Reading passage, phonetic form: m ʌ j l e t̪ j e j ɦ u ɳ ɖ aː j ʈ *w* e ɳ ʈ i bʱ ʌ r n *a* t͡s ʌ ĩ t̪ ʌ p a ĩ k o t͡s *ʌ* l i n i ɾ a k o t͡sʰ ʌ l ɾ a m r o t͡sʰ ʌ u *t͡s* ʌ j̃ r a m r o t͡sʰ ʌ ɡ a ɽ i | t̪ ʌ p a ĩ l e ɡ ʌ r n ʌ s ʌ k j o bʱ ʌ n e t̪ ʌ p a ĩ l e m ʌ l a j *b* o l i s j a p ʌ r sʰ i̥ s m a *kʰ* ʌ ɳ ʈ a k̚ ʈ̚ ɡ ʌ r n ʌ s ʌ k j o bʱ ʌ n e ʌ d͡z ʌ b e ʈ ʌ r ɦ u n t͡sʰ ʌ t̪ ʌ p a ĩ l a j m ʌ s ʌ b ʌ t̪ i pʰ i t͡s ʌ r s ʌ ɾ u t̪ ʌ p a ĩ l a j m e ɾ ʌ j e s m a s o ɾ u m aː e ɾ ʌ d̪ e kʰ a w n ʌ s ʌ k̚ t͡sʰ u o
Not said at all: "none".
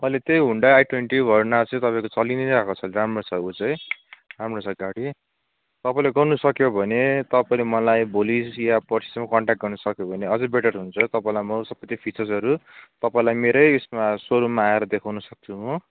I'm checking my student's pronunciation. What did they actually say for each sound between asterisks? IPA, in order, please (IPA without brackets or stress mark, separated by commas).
w, a, ʌ, t͡s, b, k